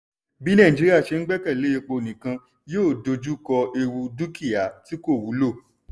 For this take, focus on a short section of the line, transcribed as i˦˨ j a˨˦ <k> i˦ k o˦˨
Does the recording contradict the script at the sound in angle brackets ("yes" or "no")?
yes